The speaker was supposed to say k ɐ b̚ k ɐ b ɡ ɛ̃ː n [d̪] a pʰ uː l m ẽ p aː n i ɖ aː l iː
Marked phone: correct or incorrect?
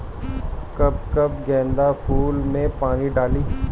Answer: correct